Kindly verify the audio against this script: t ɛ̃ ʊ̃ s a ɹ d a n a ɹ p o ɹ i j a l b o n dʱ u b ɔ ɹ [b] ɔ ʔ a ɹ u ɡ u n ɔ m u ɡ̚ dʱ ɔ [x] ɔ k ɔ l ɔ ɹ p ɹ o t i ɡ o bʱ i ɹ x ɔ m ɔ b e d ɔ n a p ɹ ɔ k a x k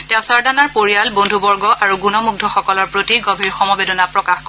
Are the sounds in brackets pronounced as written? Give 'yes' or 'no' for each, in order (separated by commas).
no, yes